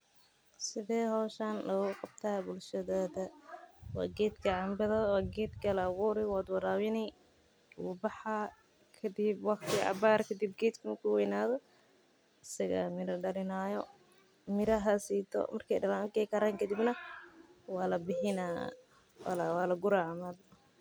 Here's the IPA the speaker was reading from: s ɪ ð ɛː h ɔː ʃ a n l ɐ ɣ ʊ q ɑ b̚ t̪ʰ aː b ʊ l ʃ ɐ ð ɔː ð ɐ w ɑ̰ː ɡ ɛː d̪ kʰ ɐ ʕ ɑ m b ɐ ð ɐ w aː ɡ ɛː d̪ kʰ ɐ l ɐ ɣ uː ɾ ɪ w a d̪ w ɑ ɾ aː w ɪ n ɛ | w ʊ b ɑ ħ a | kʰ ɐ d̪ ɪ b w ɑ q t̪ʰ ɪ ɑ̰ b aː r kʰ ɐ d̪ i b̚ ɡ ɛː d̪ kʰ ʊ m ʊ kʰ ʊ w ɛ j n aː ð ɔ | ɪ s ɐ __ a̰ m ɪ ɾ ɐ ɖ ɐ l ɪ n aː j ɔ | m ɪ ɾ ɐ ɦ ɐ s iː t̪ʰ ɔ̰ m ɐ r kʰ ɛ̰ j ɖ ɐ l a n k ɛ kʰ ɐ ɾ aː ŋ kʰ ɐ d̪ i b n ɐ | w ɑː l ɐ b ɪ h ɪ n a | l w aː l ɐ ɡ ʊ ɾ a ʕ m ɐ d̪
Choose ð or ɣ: ɣ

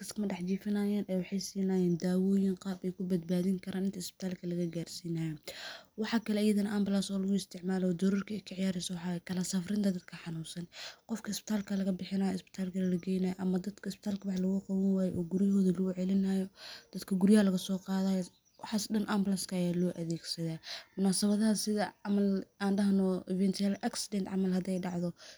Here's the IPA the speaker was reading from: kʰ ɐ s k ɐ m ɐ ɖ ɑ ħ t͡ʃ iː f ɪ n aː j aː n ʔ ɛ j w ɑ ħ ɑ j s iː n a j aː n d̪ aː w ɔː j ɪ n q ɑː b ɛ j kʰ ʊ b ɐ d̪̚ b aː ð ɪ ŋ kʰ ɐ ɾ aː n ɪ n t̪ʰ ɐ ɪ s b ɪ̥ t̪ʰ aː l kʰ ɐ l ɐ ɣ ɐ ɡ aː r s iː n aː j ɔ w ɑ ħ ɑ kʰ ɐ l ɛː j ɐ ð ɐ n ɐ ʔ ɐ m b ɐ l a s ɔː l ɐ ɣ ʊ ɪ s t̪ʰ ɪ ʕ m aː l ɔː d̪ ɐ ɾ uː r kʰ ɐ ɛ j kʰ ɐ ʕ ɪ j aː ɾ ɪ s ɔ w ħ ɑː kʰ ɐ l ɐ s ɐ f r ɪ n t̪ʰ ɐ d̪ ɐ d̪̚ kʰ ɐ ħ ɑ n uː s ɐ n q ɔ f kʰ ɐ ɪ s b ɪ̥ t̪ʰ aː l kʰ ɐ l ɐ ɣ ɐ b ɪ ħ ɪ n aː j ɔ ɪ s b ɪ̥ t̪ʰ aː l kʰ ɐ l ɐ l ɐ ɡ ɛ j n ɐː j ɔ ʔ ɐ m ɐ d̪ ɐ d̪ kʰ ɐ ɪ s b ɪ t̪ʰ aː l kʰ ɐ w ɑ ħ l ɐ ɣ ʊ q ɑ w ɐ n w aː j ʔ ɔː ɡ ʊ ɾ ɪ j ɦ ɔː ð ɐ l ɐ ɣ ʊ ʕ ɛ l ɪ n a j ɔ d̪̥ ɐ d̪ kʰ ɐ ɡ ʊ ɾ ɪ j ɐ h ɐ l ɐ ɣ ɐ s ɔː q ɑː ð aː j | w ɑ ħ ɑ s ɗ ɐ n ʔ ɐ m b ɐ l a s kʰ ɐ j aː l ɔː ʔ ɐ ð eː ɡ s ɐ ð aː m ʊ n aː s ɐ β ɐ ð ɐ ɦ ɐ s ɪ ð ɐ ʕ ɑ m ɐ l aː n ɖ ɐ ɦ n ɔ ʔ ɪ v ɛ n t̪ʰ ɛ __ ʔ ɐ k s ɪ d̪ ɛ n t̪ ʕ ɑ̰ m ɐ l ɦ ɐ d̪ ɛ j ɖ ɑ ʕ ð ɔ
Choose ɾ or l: l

